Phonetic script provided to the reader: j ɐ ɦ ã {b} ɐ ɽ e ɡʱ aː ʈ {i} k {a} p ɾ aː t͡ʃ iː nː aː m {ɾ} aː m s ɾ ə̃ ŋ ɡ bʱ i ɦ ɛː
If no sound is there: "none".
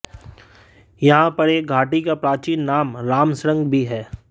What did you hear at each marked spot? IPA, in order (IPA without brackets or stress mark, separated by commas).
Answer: p, i, a, ɾ